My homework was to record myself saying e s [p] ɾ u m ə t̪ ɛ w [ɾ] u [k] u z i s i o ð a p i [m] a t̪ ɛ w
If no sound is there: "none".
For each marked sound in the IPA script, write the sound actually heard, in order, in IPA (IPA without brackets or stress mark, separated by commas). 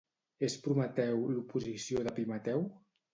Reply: p, l, p, m